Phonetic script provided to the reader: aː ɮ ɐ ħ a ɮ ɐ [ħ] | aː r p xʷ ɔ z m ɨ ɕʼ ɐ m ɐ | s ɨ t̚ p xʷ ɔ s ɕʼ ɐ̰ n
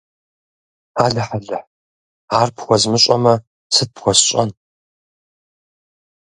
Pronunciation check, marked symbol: correct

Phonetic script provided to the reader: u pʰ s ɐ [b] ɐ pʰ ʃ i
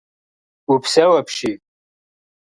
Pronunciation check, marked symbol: incorrect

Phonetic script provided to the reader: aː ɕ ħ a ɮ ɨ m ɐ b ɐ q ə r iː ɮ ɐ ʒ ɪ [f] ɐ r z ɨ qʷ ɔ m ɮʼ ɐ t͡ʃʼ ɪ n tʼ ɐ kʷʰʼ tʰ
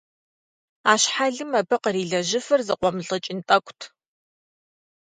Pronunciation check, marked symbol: correct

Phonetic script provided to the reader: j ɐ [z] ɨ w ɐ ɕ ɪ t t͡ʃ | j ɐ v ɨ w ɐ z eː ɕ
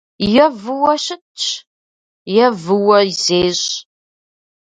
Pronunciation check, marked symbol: incorrect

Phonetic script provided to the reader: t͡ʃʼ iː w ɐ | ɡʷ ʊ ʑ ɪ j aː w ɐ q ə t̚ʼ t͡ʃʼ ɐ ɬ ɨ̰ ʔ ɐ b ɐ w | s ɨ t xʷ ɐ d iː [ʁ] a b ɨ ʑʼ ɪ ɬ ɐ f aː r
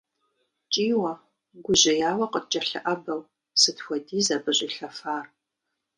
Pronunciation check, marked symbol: incorrect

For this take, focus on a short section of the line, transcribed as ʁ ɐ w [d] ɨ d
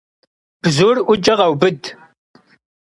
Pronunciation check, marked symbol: incorrect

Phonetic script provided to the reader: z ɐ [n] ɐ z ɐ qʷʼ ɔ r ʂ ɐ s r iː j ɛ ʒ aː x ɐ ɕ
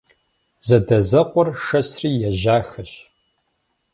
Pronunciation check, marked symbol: incorrect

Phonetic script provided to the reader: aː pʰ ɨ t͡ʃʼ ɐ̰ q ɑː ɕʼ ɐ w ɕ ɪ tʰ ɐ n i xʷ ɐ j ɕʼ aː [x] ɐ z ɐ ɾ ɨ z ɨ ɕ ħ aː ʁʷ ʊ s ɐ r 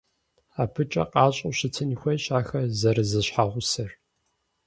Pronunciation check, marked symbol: correct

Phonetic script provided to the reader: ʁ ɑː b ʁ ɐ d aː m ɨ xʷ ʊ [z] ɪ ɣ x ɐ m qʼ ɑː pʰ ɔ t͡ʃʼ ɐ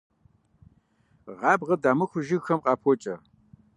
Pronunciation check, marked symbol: incorrect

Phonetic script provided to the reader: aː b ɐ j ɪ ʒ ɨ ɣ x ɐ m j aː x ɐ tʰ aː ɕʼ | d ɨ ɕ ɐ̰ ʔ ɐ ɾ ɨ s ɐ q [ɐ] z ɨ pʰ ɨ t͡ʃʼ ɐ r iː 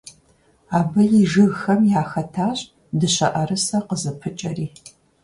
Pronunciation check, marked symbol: incorrect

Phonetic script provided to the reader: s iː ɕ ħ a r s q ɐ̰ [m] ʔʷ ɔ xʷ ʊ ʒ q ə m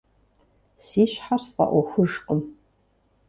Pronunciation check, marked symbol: incorrect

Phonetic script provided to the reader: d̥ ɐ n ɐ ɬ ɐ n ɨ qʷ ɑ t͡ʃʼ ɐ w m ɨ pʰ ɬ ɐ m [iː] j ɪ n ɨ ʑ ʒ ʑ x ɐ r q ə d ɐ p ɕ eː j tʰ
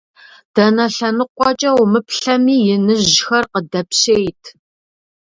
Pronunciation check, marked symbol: correct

